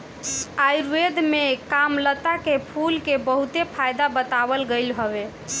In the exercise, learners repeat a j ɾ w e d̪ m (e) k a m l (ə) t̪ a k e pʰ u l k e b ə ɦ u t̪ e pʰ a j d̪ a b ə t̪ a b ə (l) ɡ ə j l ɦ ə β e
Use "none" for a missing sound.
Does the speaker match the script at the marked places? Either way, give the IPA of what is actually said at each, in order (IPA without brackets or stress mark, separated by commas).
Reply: e, ə, l